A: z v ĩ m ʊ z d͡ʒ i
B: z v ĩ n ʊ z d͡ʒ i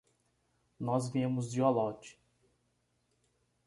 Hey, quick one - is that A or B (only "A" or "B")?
A